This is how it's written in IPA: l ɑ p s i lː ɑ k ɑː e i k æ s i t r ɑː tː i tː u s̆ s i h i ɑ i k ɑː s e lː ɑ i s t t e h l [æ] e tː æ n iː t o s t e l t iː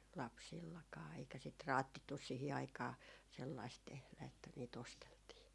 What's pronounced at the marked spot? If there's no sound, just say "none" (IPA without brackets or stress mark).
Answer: æ